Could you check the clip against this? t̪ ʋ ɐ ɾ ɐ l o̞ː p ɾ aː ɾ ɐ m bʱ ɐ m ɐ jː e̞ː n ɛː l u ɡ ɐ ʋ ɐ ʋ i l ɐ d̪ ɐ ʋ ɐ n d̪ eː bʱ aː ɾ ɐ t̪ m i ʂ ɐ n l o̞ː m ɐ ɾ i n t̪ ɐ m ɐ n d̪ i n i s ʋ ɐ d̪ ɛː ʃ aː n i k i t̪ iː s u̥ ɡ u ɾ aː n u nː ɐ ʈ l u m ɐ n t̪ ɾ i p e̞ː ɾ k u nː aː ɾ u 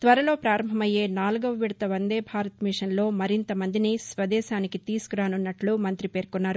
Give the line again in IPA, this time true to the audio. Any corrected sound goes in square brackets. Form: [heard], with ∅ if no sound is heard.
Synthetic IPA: t̪ ʋ ɐ ɾ ɐ l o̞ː p ɾ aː ɾ ɐ m bʱ ɐ m ɐ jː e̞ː n [aː] l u ɡ ɐ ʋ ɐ ʋ i [ɽ] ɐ [t̪] ɐ ʋ ɐ n d̪ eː bʱ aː ɾ ɐ t̪ m i ʂ ɐ n l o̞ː m ɐ ɾ i n t̪ ɐ m ɐ n d̪ i n i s ʋ ɐ d̪ ɛː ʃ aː n i k i t̪ iː s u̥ [k] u ɾ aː n u nː ɐ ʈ l u m ɐ n t̪ ɾ i p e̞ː ɾ k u nː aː ɾ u